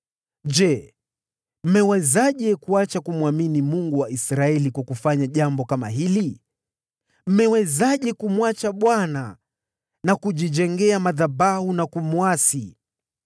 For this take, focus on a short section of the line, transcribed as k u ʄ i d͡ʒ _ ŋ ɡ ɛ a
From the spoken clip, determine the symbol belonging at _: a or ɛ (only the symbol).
ɛ